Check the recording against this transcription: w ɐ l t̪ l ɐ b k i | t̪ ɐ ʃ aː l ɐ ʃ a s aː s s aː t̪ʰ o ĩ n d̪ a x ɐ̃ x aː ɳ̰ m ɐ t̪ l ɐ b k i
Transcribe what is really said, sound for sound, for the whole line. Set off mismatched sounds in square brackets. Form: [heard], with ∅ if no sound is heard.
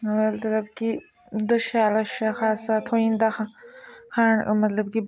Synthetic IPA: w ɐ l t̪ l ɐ b k i | [d̪] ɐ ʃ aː l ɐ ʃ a [x] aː s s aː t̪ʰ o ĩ n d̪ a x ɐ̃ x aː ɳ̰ m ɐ t̪ l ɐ b k i